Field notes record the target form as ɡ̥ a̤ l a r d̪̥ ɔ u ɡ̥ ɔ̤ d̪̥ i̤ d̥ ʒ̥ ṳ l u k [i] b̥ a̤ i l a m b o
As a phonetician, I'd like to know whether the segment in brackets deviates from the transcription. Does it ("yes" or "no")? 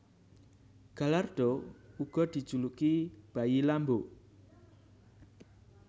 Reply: no